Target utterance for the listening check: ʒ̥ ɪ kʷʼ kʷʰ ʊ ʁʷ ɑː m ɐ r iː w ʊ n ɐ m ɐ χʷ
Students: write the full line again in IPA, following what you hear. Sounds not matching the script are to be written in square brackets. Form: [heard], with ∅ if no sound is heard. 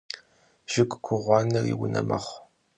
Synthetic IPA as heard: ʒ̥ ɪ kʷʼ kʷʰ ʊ ʁʷ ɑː [n] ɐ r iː w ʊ n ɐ m ɐ χʷ